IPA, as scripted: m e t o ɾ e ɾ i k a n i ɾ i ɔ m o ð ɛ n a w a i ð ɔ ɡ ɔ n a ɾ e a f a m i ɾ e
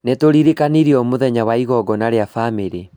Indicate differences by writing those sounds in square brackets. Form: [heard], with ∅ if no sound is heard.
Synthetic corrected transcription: [n] e t o ɾ [i] ɾ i k a n i ɾ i ɔ m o ð ɛ [ɲ] a w a i [ɣ] ɔ ɡ ɔ n a ɾ e a f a m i ɾ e